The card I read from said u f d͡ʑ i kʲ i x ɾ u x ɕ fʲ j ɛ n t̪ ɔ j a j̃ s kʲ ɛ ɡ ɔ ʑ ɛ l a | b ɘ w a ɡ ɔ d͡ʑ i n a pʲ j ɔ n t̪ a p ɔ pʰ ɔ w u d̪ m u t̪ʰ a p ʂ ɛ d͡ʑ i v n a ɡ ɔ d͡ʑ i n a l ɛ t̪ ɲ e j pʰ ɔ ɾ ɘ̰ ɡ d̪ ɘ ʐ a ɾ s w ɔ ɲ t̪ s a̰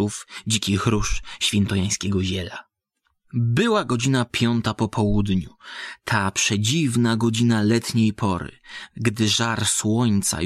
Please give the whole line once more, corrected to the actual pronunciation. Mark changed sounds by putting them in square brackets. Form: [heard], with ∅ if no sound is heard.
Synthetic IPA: u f d͡ʑ i kʲ i x ɾ u [ʂ] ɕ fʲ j ɛ n t̪ ɔ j a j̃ s kʲ ɛ ɡ ɔ ʑ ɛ l a | b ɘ w a ɡ ɔ d͡ʑ i n a pʲ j ɔ n t̪ a p ɔ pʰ ɔ w u d̪ [ɲ] u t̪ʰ a p ʂ ɛ d͡ʑ i v n a ɡ ɔ d͡ʑ i n a l ɛ t̪ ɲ e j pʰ ɔ ɾ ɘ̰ ɡ d̪ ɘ ʐ a ɾ s w ɔ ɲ t̪ s a̰